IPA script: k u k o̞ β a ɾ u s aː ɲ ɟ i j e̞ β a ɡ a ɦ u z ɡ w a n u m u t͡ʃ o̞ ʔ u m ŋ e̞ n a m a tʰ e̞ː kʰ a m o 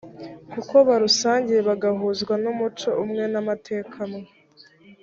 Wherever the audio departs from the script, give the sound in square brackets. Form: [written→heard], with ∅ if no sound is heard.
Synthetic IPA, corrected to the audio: k u k o̞ β a ɾ u s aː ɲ ɟ i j e̞ β a ɡ a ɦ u z ɡ w a n u m u t͡ʃ o̞ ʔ u m ŋ e̞ n a m a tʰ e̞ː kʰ a m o